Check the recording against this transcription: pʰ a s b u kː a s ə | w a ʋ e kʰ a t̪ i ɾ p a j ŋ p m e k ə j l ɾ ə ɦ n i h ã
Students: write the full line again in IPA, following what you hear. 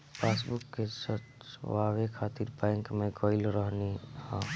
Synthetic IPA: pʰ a s b u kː e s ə | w a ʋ e kʰ a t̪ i ɾ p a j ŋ k m e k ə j l ɾ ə ɦ n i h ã

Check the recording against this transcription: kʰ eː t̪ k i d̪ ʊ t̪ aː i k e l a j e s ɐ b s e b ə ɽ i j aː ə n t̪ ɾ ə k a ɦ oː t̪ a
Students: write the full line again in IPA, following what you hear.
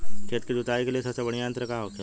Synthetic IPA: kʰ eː t̪ k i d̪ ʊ t̪ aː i k e l i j e s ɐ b s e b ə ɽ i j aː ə n t̪ ɾ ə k a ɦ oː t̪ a

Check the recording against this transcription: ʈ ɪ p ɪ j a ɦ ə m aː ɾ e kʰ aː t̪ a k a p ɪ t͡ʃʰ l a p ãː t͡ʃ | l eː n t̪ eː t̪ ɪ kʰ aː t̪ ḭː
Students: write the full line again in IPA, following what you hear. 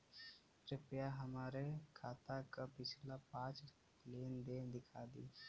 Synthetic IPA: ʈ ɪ p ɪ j a ɦ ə m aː ɾ e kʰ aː t̪ a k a p ɪ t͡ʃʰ l a p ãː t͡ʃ | l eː n d̪ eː d̪ ɪ kʰ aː d̪ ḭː

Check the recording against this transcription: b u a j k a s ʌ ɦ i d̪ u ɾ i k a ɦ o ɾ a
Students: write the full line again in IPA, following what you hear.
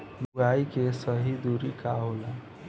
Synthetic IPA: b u a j k e s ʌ ɦ i d̪ u ɾ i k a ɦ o l a

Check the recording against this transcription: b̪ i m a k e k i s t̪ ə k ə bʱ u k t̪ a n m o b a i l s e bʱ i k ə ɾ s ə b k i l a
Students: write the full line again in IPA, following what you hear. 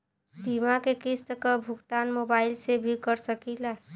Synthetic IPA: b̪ i m a k e k i s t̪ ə k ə bʱ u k t̪ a n m o b a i l s e bʱ i k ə ɾ s ə k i l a

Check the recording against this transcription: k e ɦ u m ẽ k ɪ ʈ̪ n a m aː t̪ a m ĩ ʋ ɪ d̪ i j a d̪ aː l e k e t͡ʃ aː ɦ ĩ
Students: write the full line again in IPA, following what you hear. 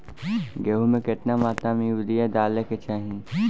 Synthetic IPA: ɡ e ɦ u m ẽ k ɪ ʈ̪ n a m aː t̪ a m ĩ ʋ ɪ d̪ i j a d̪ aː l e k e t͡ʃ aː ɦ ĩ

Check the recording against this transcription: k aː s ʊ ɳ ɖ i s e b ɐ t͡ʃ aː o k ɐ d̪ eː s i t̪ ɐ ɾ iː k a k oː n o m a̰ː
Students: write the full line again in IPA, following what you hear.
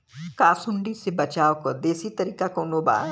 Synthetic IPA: k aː s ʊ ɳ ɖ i s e b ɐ t͡ʃ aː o k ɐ d̪ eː s i t̪ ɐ ɾ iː k a k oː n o b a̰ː

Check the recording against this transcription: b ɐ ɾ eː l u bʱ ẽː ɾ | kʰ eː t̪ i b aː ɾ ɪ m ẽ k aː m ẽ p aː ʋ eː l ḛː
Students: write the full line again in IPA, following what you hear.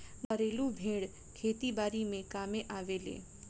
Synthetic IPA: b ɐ ɾ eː l u bʱ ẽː ɽ | kʰ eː t̪ i b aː ɾ i m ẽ k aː m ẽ ʔ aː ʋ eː l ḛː

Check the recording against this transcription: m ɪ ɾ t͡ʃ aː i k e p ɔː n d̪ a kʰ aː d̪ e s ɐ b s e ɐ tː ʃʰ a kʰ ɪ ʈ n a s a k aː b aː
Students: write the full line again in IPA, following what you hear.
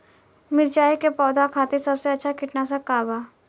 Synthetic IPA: m ɪ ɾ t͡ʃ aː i k e p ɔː d̪ a kʰ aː t̪ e s ɐ b s e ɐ tː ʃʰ a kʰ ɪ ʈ n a s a k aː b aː

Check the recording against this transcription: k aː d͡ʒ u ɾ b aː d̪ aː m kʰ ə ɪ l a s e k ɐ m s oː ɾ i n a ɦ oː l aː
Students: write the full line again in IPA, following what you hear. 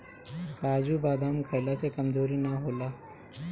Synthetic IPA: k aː d͡ʒ u b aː d̪ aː m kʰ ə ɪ l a s e k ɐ m z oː ɾ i n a ɦ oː l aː

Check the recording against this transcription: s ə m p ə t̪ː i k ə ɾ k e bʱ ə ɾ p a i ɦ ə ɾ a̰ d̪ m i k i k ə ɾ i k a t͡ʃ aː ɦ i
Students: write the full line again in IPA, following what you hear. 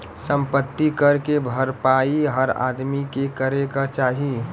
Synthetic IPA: s ə m p ə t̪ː i k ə ɾ k e bʱ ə ɾ p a i ɦ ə ɾ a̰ d̪ m i k e k ə ɾ e k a t͡ʃ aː ɦ i

